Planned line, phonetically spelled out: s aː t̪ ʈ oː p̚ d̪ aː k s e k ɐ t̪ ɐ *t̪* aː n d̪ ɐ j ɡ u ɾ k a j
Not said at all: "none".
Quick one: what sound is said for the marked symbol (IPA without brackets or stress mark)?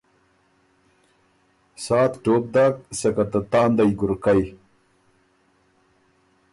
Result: t̪